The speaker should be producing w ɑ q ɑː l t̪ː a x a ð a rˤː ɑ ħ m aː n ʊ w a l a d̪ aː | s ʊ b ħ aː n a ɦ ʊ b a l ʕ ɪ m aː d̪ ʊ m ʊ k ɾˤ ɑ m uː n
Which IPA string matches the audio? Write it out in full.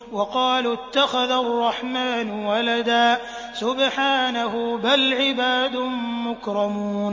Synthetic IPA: w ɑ q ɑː l t̪ː a x a ð a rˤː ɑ ħ m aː n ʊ w a l a d̪ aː | s ʊ b ħ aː n a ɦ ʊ b a l ʕ ɪ b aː d̪ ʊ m ʊ k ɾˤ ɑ m uː n